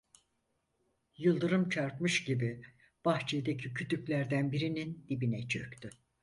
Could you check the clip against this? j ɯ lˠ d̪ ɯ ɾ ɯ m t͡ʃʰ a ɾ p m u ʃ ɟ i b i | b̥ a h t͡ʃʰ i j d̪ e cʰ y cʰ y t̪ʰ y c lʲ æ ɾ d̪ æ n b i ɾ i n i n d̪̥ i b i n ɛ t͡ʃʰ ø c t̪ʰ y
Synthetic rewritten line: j ɯ lˠ d̪ ɯ ɾ ɯ m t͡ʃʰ a ɾ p m ɯ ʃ ɟ i b i | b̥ a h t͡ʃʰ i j d̪ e cʰ i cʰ y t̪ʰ y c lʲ æ ɾ d̪ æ n b i ɾ i n i n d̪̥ i b i n ɛ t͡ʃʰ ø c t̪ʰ y